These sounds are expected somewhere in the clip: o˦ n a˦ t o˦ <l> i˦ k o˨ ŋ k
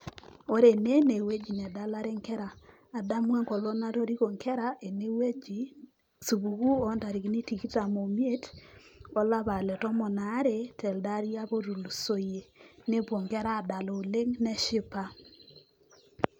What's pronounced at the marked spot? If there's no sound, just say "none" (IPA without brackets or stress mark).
ɾ